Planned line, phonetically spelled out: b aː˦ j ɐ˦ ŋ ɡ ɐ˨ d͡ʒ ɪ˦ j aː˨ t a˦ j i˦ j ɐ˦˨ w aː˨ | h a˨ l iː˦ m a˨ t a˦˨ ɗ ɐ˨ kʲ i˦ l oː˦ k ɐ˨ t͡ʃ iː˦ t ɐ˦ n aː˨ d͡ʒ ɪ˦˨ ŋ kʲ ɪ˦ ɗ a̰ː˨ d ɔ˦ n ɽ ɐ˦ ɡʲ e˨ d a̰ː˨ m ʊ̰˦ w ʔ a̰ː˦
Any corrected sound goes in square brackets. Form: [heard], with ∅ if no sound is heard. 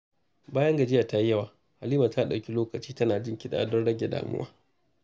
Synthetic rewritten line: b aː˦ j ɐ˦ ŋ ɡ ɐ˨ d͡ʒ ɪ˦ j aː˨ t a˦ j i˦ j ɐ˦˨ w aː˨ | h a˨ l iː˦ m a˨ t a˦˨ ɗ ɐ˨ kʲ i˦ l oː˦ k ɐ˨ t͡ʃ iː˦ t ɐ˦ n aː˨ d͡ʒ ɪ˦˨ ŋ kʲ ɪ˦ ɗ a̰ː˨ d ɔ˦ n ɽ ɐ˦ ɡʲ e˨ d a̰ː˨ m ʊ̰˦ w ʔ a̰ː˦